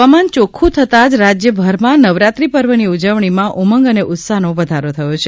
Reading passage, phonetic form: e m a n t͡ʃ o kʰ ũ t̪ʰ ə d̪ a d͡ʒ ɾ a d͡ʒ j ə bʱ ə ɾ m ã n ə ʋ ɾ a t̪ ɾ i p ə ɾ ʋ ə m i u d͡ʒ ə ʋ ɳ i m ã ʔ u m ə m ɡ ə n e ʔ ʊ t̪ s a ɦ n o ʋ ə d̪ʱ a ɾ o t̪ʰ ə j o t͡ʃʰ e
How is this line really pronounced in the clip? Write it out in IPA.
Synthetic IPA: a m a n t͡ʃ o kʰ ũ t̪ʰ ə t̪ a d͡ʒ ɾ a d͡ʒ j ə bʱ ə ɾ m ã n ə ʋ ɾ a t̪ ɾ i p ə ɾ ʋ ə n i u d͡ʒ ə ʋ ɳ i m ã ʔ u m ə ŋ ɡ ə n e ʔ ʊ t̪ s a ɦ n o ʋ ə d̪ʱ a ɾ o t̪ʰ ə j o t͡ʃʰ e